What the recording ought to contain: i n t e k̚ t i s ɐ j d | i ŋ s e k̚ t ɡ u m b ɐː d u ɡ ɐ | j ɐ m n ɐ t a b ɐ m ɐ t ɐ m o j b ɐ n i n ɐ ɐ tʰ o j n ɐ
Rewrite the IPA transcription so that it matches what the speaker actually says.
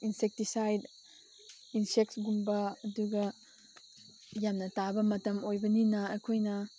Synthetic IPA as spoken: i n s e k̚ t i s a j d | i n s e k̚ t ɡ u m b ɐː d u ɡ ɐ | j a m n ɐ t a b ɐ m ɐ t ɐ m o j b ɐ n i n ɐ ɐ kʰ o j n ɐ